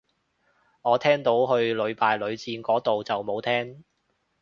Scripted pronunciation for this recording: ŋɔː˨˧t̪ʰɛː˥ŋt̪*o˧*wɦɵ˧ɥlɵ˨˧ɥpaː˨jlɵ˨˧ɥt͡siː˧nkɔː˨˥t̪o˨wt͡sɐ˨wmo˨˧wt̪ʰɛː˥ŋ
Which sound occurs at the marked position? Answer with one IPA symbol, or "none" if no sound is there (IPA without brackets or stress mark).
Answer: o˨˥